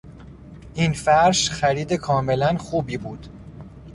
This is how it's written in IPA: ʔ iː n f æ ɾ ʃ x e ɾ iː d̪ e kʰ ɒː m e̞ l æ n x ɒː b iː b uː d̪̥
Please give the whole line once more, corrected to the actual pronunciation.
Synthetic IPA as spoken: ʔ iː n f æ ɾ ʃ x æ ɾ iː d̪ e kʰ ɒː m e̞ l æ n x uː b iː b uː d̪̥